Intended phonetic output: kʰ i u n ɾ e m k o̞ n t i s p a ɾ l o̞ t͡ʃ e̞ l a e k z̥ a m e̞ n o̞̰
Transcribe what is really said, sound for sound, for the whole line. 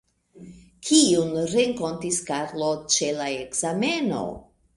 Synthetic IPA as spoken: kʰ i u n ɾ e ŋ k o̞ n t i s k a ɾ l o̞ t͡ʃ e̞ l a e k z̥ a m e̞ n o̞̰

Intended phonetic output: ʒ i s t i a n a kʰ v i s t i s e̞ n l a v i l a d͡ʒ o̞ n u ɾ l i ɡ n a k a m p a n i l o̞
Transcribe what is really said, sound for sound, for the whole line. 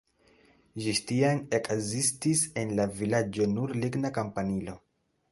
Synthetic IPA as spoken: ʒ i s t i a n e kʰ z i s t i s e̞ n l a v i l a d͡ʒ o̞ n u ɾ l i ɡ n a k a m p a n i l o̞

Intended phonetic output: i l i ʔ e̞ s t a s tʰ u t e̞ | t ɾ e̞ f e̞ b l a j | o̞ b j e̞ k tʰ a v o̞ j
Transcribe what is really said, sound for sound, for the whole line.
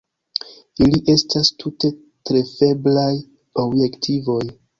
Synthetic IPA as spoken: i l i ʔ e̞ s t a s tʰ u t e̞ | t ɾ e̞ f e̞ b l a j | o̞ b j e̞ k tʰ i v o̞ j

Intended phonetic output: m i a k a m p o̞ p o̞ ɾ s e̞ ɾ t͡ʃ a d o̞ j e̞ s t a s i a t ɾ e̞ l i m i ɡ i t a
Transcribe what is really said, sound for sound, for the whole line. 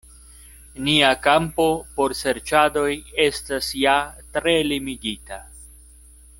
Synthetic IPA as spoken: n i a k a m p o̞ p o̞ ɾ s e̞ ɾ t͡ʃ a d o̞ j e̞ s t a s j a t ɾ e̞ l i m i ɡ i t a

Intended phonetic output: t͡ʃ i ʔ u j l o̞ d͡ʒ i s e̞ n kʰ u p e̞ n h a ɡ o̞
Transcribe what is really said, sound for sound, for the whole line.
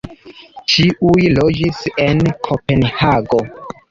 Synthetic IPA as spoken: t͡ʃ i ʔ u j l o̞ d͡ʒ i s e̞ n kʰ o p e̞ n h a ɡ o̞

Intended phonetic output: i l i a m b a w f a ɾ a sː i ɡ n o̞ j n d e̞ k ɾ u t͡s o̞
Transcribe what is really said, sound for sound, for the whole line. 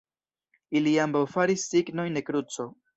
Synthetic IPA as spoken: i l i a m b a w f a ɾ i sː i ɡ n o̞ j n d e̞ k ɾ u t͡s o̞

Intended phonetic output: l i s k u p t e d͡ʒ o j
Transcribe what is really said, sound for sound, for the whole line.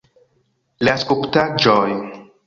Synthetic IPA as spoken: l a s k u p t a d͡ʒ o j

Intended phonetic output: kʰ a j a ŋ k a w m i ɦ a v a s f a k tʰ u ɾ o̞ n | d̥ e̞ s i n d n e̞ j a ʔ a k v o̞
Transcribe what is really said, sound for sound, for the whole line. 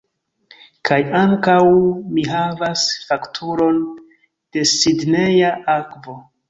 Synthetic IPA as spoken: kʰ a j a ŋ k a w m i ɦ a v a s f a k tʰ u ɾ o̞ n | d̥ e̞ s i d n e̞ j a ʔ a k v o̞

